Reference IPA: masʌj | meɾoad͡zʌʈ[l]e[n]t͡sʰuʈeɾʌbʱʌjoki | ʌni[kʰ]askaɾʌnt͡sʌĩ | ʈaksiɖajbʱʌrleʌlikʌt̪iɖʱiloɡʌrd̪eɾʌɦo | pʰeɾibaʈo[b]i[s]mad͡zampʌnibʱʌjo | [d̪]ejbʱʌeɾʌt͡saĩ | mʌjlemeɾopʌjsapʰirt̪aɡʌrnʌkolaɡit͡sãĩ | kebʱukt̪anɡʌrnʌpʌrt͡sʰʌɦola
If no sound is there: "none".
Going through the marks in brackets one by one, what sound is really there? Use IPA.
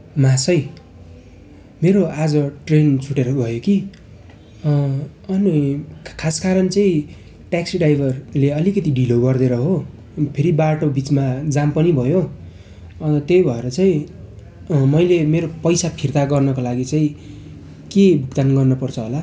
r, n, kʰ, b, t͡s, t̪

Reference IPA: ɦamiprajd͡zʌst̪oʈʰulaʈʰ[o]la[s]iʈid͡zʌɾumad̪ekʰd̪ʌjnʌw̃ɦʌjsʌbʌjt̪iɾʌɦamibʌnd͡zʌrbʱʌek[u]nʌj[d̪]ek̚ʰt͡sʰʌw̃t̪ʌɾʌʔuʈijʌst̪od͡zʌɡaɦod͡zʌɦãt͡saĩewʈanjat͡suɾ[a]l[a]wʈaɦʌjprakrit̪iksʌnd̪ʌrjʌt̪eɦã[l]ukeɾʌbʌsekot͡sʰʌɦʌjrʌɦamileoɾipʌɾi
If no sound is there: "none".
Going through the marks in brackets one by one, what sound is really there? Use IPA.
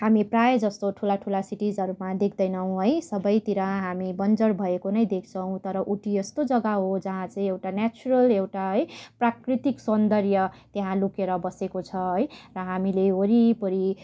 u, s, o, d̪, ʌ, e, l

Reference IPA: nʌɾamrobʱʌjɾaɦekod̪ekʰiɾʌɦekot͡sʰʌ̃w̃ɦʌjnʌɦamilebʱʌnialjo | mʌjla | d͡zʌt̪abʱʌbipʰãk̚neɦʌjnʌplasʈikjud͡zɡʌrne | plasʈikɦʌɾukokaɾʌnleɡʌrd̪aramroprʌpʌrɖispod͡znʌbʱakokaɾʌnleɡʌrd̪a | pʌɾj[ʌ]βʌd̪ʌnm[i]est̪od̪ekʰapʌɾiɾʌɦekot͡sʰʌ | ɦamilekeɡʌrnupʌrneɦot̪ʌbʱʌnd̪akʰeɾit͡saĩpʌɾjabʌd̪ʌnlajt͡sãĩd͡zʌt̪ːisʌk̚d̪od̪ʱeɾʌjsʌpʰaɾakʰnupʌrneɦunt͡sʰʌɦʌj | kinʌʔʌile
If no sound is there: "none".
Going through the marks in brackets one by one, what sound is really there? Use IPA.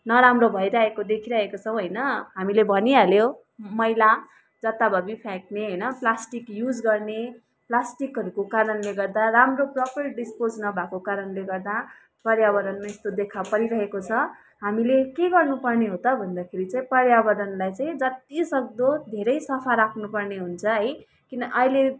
a, a

